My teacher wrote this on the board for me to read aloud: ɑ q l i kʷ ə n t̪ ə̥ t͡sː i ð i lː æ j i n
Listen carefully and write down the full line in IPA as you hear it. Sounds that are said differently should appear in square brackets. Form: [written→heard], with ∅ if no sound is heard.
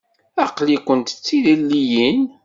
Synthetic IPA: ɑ q l i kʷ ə n t̪ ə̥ t͡sː i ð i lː [æ→i] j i n